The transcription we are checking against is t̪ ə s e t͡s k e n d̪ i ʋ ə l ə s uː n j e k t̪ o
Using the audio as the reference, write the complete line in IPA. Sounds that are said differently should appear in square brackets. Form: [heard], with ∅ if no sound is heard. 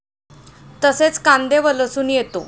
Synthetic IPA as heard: t̪ ə s e t͡s k [a] n d̪ [e] ʋ ə l ə s uː n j e [∅] t̪ o